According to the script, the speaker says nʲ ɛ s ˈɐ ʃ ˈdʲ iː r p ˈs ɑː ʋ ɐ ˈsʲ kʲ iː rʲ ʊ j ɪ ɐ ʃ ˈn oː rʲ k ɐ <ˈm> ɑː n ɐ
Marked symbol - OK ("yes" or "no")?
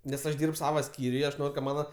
yes